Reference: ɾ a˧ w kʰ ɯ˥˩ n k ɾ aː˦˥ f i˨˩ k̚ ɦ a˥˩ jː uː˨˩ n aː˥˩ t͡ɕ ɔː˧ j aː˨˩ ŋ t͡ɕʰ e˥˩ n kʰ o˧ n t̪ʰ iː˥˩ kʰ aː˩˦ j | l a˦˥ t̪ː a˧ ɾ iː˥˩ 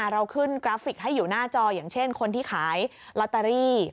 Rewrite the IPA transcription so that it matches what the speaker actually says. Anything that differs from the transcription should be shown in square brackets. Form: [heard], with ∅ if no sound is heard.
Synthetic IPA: ɾ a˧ w kʰ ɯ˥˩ n k ɾ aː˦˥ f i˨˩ k̚ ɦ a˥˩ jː uː˨˩ n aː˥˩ t͡ɕ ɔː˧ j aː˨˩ ŋ t͡ɕʰ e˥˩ n kʰ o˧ n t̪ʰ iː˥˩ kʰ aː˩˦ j | l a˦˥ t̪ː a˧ ɾ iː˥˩